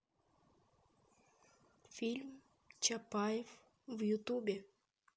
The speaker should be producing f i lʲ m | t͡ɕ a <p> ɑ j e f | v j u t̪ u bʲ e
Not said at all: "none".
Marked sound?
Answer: p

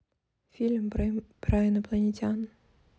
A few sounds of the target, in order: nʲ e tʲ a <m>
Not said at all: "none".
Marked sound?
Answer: n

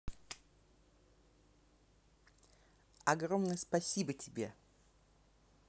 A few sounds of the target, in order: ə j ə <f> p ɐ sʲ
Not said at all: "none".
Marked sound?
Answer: s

